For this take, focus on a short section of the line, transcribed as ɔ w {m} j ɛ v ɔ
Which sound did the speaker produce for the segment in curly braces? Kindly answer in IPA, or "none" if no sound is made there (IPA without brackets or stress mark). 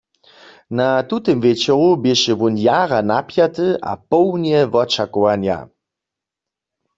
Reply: n